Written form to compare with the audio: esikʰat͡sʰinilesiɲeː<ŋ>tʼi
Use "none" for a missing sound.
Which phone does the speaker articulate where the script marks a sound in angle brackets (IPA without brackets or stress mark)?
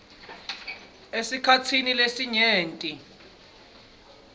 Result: n